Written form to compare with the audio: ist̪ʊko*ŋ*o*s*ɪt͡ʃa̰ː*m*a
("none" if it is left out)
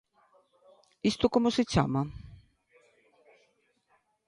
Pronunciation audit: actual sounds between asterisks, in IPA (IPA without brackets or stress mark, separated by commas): m, s, m